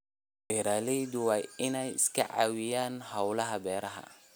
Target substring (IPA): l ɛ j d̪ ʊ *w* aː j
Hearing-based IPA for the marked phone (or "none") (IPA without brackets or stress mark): w